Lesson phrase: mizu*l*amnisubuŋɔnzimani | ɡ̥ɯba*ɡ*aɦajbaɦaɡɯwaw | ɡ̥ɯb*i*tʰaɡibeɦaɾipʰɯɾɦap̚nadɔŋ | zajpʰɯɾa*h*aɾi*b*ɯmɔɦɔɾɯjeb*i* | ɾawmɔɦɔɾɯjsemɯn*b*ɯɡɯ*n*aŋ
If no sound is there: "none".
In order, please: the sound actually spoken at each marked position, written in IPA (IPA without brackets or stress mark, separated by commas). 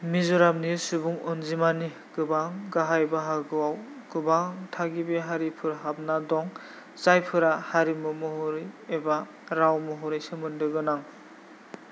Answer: ɾ, ɡ, a, h, m, a, d, n